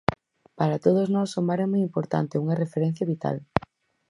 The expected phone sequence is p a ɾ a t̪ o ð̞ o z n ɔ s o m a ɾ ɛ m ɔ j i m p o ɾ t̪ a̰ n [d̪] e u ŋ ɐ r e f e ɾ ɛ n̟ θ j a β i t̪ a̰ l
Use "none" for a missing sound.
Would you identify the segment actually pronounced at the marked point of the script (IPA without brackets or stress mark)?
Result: t̪